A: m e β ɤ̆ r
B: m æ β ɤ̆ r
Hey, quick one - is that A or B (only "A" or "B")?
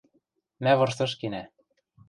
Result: B